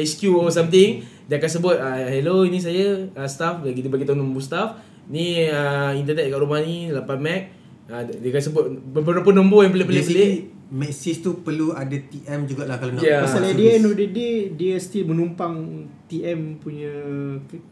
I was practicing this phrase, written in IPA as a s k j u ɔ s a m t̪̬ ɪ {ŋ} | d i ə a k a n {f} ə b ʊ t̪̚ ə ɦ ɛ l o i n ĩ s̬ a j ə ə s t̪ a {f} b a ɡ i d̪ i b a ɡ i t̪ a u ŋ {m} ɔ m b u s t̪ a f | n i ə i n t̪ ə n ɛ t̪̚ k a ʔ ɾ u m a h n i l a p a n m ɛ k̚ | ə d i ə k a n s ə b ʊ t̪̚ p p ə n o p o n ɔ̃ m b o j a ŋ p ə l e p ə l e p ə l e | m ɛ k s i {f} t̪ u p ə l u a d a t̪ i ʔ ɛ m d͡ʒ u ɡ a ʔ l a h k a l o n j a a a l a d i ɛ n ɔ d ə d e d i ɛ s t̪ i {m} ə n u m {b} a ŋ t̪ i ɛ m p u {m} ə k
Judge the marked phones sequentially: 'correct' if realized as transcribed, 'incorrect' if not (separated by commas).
correct, incorrect, correct, incorrect, incorrect, correct, incorrect, incorrect